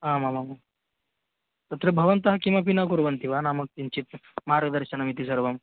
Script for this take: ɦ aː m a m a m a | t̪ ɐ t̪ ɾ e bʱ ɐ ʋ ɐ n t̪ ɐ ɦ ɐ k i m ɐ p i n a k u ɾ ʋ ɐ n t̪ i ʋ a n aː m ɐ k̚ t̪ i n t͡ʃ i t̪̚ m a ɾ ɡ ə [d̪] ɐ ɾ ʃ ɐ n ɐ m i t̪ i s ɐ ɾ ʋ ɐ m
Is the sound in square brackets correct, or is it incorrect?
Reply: correct